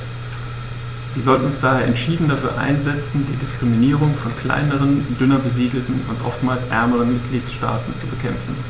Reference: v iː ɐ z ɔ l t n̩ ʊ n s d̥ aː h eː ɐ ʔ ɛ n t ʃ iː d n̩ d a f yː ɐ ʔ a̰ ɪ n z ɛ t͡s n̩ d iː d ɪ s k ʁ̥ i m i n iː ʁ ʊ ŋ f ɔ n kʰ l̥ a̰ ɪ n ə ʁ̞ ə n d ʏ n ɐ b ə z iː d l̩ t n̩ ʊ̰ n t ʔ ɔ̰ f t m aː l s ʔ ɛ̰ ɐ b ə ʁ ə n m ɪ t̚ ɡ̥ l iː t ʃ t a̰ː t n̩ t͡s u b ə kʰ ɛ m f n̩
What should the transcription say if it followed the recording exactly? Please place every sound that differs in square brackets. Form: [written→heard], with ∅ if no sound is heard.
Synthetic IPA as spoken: v iː ɐ z ɔ l t n̩ ʊ n s d̥ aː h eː ɐ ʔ ɛ n t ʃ iː d n̩ d a f yː ɐ ʔ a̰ ɪ n z ɛ t͡s n̩ d iː d ɪ s k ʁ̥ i m i n iː ʁ ʊ ŋ f ɔ n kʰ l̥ a̰ ɪ n ə ʁ̞ ə n d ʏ n ɐ b ə z iː d l̩ t n̩ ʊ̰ n t ʔ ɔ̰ f t m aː l s ʔ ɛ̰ ɐ [b→m] ə ʁ ə n m ɪ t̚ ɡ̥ l iː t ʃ t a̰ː t n̩ t͡s u b ə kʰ ɛ m f n̩

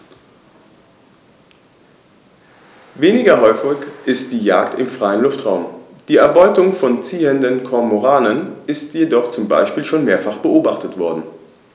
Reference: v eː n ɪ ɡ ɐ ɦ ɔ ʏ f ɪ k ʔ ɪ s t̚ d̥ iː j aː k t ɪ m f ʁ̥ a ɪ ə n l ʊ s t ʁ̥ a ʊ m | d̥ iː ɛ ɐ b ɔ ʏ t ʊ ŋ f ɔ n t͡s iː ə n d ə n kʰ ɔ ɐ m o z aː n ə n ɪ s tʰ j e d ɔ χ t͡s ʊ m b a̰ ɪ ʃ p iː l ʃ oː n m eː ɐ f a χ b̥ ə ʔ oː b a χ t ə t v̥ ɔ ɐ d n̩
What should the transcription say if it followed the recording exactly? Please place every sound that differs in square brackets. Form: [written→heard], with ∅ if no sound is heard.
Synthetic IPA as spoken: v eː n ɪ ɡ ɐ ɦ ɔ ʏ f ɪ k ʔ ɪ s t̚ d̥ iː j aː k t ɪ m f ʁ̥ a ɪ ə n l ʊ [s→f] t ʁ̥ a ʊ m | d̥ iː ɛ ɐ b ɔ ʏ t ʊ ŋ f ɔ n t͡s iː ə n d ə n kʰ ɔ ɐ m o [z→ʁ] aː n ə n ɪ s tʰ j e d ɔ χ t͡s ʊ m b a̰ ɪ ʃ p iː l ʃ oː n m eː ɐ f a χ b̥ ə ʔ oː b a χ t ə t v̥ ɔ ɐ d n̩

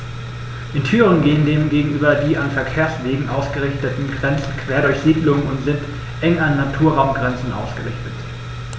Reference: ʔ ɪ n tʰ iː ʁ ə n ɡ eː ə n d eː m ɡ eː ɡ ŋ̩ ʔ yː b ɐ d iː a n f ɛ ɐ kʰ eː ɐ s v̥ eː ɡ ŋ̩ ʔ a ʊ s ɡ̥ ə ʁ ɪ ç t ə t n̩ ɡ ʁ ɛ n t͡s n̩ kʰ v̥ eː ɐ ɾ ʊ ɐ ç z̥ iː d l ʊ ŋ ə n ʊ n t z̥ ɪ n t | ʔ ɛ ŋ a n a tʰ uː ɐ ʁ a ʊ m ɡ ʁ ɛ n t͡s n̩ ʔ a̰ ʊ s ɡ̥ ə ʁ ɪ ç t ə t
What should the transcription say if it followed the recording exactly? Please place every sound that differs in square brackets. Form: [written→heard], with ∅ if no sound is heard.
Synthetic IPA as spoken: ʔ ɪ n tʰ [iː→yː] ʁ ə n ɡ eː ə n d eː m ɡ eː ɡ ŋ̩ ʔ yː b ɐ d iː a n f ɛ ɐ kʰ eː ɐ s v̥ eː ɡ ŋ̩ ʔ a ʊ s ɡ̥ ə ʁ ɪ ç t ə t n̩ ɡ ʁ ɛ n t͡s n̩ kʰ v̥ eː ɐ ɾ ʊ ɐ ç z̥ iː d l ʊ ŋ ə n ʊ n t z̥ ɪ n t | ʔ ɛ ŋ a [n→nː] a tʰ uː ɐ ʁ a ʊ m ɡ ʁ ɛ n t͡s n̩ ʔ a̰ ʊ s ɡ̥ ə ʁ ɪ ç t ə t

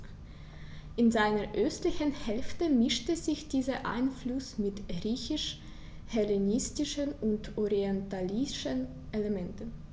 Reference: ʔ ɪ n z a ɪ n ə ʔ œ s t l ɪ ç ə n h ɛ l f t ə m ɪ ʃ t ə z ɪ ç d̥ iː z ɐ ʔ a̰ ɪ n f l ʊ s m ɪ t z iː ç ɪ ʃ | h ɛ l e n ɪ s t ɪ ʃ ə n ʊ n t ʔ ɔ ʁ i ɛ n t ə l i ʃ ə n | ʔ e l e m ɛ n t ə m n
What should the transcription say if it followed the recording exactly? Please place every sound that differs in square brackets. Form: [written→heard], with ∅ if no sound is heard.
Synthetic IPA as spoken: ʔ ɪ n z a ɪ n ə ʔ œ s t l ɪ ç ə n h ɛ l f t ə m ɪ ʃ t ə z ɪ ç d̥ iː z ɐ ʔ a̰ ɪ n f l ʊ s m ɪ t [z→ʁ] iː ç ɪ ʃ | h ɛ l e n ɪ s t ɪ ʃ ə n ʊ n t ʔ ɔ ʁ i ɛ n t [ə→a] l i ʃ ə n | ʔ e l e m ɛ n t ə [m→∅] n

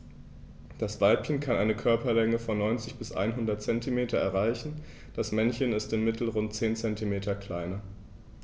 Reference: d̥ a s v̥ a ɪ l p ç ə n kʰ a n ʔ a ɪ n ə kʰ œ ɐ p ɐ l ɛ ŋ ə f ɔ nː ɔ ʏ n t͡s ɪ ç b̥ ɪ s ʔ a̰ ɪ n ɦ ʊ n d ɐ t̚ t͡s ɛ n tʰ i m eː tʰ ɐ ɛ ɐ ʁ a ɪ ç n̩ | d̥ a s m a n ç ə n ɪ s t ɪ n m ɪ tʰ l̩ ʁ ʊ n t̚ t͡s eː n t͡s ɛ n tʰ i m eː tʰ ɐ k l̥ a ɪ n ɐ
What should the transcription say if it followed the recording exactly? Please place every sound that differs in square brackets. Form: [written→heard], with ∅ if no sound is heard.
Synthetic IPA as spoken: d̥ a s v̥ a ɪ l p ç ə n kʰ a n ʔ a ɪ n ə kʰ œ ɐ p ɐ l ɛ ŋ ə f ɔ nː ɔ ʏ n t͡s ɪ ç b̥ ɪ s ʔ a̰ ɪ n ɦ ʊ n d ɐ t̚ t͡s ɛ n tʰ i m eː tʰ ɐ ɛ ɐ ʁ a ɪ ç n̩ | d̥ a s m [a→ɛ] n ç ə n ɪ s t ɪ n m ɪ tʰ l̩ ʁ ʊ n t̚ t͡s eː n t͡s ɛ n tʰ i m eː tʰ ɐ k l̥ a ɪ n ɐ

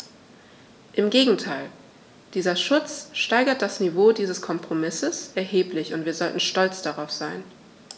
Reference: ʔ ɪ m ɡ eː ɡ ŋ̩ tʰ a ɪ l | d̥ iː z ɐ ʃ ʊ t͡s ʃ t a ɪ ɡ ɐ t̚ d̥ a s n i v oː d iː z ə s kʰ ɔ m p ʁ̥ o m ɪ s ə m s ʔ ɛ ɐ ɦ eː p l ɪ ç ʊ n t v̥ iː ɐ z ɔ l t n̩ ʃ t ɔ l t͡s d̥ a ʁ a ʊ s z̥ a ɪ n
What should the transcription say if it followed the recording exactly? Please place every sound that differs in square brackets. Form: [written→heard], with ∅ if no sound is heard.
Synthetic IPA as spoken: ʔ ɪ m ɡ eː ɡ ŋ̩ tʰ a ɪ l | d̥ iː z ɐ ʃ ʊ t͡s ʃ t a ɪ ɡ ɐ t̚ d̥ a s n i v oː d iː z ə s kʰ ɔ m p ʁ̥ o m ɪ s ə [m→∅] s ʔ ɛ ɐ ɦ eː p l ɪ ç ʊ n t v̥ iː ɐ z ɔ l t n̩ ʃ t ɔ l t͡s d̥ a ʁ a ʊ [s→f] z̥ a ɪ n

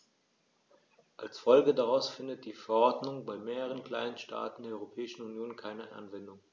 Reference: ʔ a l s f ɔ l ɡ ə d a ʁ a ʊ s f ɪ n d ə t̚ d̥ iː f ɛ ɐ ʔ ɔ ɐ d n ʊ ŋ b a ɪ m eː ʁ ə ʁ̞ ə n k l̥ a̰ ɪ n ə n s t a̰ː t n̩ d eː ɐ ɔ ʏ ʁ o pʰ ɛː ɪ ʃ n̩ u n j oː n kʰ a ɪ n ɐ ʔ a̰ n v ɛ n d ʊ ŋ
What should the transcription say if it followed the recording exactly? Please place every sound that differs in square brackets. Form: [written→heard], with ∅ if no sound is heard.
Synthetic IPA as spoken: ʔ a l s f ɔ l ɡ ə d a ʁ a ʊ s f ɪ n d ə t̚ d̥ iː f ɛ ɐ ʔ ɔ ɐ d n ʊ ŋ b a ɪ m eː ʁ ə ʁ̞ ə n k l̥ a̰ ɪ n ə n [s→ʃ] t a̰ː t n̩ d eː ɐ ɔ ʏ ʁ o pʰ ɛː ɪ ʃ n̩ u n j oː n kʰ a ɪ n [ɐ→ə] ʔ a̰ n v ɛ n d ʊ ŋ

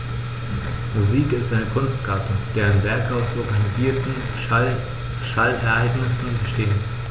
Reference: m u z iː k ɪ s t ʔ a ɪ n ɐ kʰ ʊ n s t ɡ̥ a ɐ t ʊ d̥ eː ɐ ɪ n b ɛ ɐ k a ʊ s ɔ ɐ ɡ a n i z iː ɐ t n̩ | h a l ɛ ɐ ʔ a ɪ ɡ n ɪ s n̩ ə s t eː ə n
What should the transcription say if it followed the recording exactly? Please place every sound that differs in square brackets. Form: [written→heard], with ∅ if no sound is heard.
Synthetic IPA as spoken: m u z iː k ɪ s t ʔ a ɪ n [ɐ→ə] kʰ ʊ n s t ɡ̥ a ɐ t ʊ d̥ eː ɐ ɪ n [b→v] ɛ ɐ k a ʊ s ɔ ɐ ɡ a n i z iː ɐ t n̩ | [h→ʃ] a l ɛ ɐ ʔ a ɪ ɡ n ɪ s n̩ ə [s→ʃ] t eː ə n

